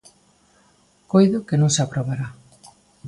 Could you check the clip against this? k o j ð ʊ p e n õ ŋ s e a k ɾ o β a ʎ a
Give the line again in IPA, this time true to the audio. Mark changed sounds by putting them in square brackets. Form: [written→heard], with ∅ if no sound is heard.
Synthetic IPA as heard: k o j ð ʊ [p→k] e n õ ŋ s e a [k→p] ɾ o β a [ʎ→ɾ] a